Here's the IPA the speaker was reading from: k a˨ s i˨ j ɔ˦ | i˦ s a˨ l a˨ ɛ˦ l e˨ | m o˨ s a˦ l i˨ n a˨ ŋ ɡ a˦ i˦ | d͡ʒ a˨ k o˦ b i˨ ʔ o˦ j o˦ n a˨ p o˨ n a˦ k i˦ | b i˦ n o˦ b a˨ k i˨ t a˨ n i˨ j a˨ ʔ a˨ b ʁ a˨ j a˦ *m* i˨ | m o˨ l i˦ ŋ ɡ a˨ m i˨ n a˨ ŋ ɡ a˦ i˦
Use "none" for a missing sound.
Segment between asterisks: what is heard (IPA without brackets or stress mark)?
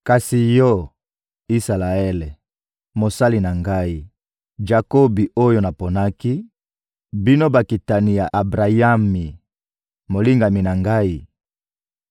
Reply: m